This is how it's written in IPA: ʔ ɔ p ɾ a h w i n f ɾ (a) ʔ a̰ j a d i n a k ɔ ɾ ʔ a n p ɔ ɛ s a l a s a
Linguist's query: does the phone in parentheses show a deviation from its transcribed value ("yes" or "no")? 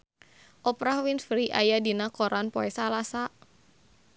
yes